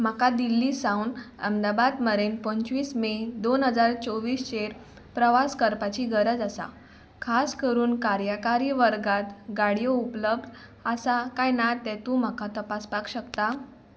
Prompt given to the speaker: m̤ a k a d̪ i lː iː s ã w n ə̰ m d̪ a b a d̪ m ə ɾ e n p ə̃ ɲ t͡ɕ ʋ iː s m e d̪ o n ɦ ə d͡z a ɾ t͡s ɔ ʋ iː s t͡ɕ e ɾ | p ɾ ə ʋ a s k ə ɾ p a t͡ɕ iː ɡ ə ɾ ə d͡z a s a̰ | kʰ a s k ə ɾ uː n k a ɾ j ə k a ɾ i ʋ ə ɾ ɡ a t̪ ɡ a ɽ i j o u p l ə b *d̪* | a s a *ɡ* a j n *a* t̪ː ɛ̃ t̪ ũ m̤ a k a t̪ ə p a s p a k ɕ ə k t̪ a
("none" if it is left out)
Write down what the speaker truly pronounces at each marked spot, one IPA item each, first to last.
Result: d̪, k, a

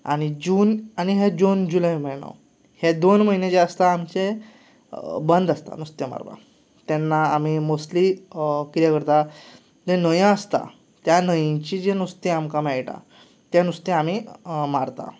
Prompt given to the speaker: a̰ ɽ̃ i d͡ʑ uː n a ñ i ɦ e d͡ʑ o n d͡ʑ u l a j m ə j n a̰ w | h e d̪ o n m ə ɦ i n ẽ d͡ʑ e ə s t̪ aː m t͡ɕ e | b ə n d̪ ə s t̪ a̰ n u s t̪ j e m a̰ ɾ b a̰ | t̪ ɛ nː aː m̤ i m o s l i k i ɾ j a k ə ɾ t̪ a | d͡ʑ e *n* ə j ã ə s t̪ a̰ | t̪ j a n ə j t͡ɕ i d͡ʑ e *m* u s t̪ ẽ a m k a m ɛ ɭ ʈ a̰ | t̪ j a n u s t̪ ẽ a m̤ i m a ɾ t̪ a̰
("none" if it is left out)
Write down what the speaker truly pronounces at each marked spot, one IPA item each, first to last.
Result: n, n

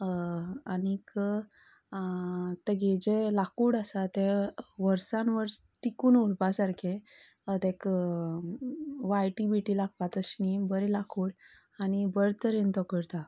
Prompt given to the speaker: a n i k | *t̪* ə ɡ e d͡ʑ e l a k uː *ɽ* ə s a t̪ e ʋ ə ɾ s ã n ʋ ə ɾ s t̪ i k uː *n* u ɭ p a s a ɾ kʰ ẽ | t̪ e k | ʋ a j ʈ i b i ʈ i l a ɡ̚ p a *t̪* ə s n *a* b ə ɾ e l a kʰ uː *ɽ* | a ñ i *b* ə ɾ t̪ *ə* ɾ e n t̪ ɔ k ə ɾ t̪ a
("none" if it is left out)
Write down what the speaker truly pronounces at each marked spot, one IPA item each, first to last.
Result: t̪, ɽ, n, t̪, i, ɽ, b, ə

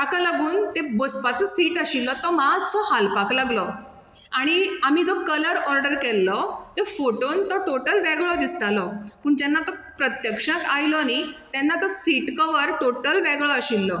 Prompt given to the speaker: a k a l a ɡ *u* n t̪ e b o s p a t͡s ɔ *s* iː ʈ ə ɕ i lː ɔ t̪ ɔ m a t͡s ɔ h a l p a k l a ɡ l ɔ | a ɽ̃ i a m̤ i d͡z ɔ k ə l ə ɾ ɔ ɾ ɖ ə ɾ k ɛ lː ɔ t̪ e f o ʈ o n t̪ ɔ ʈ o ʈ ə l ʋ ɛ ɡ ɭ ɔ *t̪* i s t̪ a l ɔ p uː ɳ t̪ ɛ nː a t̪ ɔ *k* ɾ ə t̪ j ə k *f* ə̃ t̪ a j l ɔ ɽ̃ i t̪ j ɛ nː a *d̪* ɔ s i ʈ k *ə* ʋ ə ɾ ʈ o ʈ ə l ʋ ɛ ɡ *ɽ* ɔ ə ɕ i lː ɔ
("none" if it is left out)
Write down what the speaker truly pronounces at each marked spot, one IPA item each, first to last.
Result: uː, s, d̪, p, ʂ, t̪, ə, ɭ

